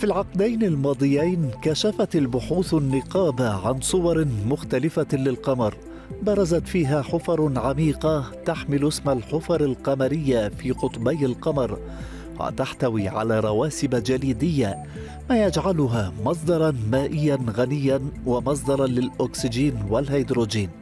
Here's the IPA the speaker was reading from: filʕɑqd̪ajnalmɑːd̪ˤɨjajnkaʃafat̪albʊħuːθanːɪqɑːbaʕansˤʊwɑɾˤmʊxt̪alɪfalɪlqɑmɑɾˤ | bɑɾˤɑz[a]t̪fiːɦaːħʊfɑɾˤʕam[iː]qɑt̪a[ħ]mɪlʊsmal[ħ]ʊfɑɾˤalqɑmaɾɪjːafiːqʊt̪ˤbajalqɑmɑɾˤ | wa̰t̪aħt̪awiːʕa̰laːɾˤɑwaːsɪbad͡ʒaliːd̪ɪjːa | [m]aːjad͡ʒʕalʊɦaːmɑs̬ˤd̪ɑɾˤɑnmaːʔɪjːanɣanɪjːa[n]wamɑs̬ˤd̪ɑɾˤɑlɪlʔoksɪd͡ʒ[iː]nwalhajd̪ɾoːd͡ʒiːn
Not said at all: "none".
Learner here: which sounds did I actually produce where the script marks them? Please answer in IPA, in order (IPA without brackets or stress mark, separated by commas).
a, iː, ħ, ħ, m, n, iː